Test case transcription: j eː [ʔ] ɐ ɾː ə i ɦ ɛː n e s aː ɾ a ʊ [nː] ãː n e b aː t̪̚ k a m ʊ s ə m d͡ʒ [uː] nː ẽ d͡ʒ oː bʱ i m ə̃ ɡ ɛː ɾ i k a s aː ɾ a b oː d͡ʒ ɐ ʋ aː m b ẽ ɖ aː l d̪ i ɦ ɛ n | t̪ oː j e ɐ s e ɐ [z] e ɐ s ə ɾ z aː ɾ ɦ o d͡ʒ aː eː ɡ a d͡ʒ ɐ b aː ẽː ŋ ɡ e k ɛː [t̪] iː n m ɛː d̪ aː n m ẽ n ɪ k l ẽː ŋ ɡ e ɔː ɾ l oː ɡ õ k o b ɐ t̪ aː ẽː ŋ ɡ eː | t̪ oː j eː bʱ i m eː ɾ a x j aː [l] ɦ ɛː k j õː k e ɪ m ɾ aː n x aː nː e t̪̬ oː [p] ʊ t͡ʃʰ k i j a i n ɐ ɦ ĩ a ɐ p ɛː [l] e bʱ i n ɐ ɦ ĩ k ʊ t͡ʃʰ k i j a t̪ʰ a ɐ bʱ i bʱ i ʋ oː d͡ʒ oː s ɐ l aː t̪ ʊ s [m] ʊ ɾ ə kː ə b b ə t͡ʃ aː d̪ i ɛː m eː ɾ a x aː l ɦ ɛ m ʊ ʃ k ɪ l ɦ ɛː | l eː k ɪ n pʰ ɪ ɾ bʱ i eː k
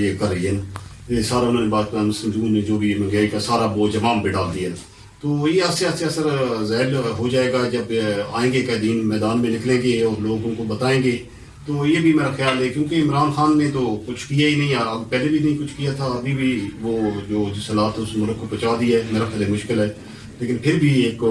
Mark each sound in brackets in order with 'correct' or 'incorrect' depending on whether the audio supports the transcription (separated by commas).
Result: incorrect, incorrect, correct, incorrect, incorrect, correct, incorrect, correct, correct